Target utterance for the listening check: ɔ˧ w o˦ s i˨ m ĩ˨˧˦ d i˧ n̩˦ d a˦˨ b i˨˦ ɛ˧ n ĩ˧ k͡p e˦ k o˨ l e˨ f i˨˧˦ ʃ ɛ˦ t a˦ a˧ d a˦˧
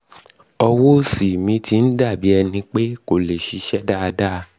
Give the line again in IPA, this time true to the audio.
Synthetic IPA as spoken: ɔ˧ w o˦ s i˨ m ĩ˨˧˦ t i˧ n̩˦ d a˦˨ b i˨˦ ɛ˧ n ĩ˧ k͡p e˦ k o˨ l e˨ ʃ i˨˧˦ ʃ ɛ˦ d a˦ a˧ d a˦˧

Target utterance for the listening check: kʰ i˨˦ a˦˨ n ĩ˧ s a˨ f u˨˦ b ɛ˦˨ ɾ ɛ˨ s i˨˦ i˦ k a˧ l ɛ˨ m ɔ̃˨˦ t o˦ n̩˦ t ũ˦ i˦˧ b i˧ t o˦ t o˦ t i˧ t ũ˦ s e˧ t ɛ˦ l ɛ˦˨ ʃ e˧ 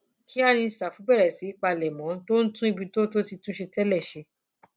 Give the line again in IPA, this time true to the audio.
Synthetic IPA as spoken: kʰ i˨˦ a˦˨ n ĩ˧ s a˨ f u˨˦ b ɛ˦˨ ɾ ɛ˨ s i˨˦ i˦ k͡p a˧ l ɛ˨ m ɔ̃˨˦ t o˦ n̩˦ t ũ˦ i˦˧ b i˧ t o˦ t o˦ t i˧ t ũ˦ ʃ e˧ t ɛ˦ l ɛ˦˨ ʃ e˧

